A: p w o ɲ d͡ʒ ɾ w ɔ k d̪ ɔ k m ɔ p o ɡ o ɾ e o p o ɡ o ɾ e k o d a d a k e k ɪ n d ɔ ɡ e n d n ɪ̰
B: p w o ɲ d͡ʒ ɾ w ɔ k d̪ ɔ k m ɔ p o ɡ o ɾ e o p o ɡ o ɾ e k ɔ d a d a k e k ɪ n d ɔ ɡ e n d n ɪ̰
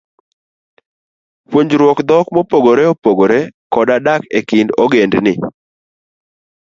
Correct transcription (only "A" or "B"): B